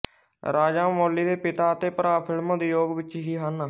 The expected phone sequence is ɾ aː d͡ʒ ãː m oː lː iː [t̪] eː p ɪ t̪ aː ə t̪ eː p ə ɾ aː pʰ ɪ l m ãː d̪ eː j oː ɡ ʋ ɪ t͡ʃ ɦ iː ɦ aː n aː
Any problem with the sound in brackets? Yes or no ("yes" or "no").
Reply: yes